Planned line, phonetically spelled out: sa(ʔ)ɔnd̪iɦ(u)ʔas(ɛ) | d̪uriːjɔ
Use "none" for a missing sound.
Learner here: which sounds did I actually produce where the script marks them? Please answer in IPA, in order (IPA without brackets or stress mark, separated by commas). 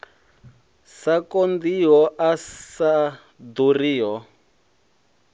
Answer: k, ɔ, a